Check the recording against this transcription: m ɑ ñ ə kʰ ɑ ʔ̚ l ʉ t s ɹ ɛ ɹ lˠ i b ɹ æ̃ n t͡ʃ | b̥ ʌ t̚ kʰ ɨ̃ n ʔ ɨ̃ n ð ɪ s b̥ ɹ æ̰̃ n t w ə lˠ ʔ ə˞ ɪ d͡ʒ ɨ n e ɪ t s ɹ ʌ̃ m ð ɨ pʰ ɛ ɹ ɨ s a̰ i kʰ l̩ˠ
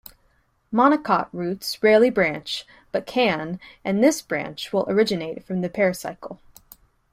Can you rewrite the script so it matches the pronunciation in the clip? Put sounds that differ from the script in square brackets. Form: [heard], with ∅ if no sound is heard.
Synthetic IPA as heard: m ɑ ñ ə kʰ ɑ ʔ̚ [ɹ] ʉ t s ɹ ɛ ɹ lˠ i b ɹ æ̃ n t͡ʃ | b̥ ʌ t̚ kʰ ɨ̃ n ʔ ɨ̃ n ð ɪ s b̥ ɹ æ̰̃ n [t͡ʃ] w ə lˠ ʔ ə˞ ɪ d͡ʒ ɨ n e ɪ t [f] ɹ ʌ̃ m ð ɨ pʰ ɛ ɹ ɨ s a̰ [ɪ] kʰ l̩ˠ

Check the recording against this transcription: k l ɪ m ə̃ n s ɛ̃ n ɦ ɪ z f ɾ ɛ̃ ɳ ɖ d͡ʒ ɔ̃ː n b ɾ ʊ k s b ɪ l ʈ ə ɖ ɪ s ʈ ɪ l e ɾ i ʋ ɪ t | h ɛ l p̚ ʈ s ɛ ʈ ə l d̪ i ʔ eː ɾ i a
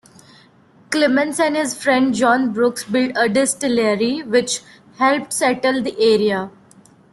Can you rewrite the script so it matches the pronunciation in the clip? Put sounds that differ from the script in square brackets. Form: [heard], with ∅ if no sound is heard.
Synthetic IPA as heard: k l ɪ m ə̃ n s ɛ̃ n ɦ ɪ z f ɾ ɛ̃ ɳ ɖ d͡ʒ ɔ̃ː n b ɾ ʊ k s b ɪ l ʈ ə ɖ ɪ s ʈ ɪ l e ɾ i ʋ ɪ [t͡ʃ] | h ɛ l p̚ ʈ s ɛ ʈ ə l d̪ i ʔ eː ɾ i a

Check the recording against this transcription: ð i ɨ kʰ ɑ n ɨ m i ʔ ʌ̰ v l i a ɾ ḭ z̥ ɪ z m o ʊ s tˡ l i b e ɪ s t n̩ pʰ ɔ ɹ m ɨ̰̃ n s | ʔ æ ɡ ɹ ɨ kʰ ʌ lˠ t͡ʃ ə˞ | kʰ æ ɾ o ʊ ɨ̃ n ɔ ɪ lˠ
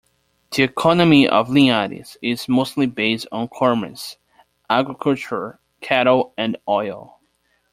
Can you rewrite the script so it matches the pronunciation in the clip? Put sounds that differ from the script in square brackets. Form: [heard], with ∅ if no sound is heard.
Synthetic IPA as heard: ð i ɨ kʰ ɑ n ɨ m i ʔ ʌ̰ v l i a ɾ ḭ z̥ ɪ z m o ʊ s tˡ l i b e ɪ s t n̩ [kʰ] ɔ ɹ m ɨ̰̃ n s | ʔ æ ɡ ɹ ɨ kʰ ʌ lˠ t͡ʃ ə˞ | kʰ æ ɾ o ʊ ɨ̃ n ɔ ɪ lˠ

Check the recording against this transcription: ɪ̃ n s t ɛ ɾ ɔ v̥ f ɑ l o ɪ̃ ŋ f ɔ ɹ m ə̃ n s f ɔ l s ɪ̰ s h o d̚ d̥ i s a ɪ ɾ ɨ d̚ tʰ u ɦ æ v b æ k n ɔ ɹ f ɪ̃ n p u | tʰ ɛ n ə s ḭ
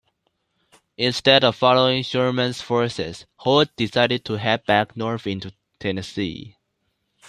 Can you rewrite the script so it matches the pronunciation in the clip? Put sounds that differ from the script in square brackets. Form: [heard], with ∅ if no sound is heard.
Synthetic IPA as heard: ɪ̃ n s t ɛ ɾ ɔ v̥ f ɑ l o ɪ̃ ŋ [ʃ] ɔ ɹ m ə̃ n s f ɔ [ɹ] s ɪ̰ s h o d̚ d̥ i s a ɪ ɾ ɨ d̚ tʰ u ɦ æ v b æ k n ɔ ɹ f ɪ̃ n [t] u | tʰ ɛ n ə s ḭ

